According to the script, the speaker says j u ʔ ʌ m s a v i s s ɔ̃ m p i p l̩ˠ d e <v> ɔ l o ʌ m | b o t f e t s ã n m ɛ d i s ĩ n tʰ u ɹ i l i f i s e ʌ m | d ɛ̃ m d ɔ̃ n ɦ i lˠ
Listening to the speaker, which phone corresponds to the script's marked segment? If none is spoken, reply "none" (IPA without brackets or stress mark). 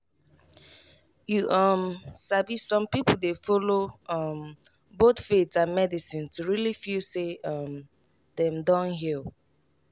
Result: f